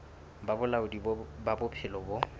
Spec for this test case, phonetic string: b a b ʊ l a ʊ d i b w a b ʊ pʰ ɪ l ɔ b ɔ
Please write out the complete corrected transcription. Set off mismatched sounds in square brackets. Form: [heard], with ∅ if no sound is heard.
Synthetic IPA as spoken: b a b ʊ l a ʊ d i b [b] a b ʊ pʰ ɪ l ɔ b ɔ

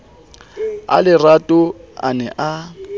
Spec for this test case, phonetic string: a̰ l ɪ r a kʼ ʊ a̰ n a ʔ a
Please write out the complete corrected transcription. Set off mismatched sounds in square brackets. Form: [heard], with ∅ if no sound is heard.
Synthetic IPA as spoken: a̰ l ɪ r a [tʼ] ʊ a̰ n [ɛ] ʔ a

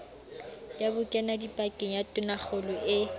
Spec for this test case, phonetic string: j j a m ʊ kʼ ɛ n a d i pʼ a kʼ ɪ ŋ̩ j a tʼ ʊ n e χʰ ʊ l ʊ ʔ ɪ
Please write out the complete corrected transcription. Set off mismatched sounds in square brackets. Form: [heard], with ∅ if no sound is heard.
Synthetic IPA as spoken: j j a [b] ʊ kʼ ɛ n a d i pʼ a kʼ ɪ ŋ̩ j a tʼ ʊ n [a] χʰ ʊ l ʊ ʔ ɪ

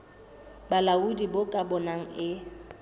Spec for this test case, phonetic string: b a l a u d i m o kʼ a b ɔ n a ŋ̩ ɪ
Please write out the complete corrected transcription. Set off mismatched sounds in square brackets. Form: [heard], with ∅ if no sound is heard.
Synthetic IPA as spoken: b a l a u d i [b] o kʼ a b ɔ n a ŋ̩ ɪ

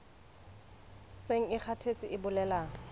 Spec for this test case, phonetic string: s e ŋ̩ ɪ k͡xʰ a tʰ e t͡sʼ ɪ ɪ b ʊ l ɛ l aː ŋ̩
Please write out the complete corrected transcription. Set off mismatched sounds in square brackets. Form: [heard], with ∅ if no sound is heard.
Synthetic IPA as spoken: s e ŋ̩ ɪ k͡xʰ a tʰ e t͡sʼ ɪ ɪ b ʊ l ɛ l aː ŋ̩

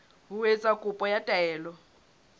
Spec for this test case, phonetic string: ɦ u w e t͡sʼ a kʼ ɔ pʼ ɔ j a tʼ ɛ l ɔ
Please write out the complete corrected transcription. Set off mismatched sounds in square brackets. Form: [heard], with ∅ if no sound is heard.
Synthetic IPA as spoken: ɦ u w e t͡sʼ a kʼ [u] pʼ ɔ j a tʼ [ɛː] l ɔ

